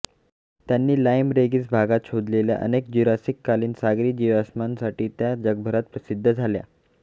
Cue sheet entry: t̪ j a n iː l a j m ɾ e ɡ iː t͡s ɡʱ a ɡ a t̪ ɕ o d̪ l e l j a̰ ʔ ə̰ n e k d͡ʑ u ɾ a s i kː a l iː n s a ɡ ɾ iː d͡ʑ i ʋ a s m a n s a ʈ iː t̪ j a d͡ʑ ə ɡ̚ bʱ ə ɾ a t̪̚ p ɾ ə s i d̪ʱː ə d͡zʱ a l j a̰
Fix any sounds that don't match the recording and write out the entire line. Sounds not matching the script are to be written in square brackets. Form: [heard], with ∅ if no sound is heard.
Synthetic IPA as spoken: t̪ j a [nː] iː l a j m ɾ e ɡ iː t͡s [bʱ] a ɡ a t̪ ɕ o d̪ l e l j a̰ ʔ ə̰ n e k d͡ʑ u ɾ a s i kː a l iː n s a ɡ ɾ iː d͡ʑ i ʋ a s m a n s a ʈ iː t̪ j a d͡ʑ ə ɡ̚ bʱ ə ɾ a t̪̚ p ɾ ə s i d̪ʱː ə d͡zʱ a l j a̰